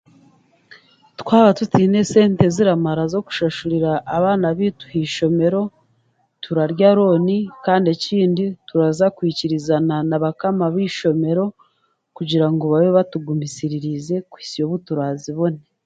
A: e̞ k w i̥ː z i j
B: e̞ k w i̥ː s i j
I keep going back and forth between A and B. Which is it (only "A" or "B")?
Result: B